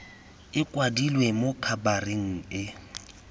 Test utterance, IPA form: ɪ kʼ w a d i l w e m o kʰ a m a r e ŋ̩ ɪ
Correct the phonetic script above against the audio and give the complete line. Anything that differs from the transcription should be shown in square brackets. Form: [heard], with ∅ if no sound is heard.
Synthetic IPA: ɪ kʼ w a d i l w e m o kʰ a [b] a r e ŋ̩ ɪ